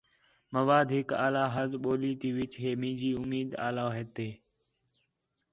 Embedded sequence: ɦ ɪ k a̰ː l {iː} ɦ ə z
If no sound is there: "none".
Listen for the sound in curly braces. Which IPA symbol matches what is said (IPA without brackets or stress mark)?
aː